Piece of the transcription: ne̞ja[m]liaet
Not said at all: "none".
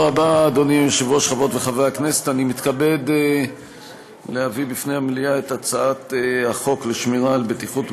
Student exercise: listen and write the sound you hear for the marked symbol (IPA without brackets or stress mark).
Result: m